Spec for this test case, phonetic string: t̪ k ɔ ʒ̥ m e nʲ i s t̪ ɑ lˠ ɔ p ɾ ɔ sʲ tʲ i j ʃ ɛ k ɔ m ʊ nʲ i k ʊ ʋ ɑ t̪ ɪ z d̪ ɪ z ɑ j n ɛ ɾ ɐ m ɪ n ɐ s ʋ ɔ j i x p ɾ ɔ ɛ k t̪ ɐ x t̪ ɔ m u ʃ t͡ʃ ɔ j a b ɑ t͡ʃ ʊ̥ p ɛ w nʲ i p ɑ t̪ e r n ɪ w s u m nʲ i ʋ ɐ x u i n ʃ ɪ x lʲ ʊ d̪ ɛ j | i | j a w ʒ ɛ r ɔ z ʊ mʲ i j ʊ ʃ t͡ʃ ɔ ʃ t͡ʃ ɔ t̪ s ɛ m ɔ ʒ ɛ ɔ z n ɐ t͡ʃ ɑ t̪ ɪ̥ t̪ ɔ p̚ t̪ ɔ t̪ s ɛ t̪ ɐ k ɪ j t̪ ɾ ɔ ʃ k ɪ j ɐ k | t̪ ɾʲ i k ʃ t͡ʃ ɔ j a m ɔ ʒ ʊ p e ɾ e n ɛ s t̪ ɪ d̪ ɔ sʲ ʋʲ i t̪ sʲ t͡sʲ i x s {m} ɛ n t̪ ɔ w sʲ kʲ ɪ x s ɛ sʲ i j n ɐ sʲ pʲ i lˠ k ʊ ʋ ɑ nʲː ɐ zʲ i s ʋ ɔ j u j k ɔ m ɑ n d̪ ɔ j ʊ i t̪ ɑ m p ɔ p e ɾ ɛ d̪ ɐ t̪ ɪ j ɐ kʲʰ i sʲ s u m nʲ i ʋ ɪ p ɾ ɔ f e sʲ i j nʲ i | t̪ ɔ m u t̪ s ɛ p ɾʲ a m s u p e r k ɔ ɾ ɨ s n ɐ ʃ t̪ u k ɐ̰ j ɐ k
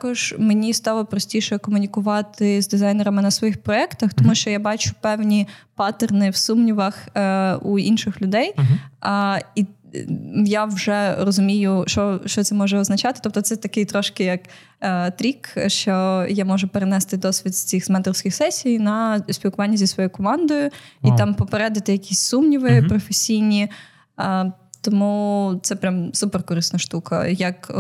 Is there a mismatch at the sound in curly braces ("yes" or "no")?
no